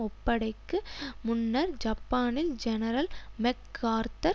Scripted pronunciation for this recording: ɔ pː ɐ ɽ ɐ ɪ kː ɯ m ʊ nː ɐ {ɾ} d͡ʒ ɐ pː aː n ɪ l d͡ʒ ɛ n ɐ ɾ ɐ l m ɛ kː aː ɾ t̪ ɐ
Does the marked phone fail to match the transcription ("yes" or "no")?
no